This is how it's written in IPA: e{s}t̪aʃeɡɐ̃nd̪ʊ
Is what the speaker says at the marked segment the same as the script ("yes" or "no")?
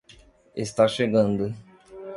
yes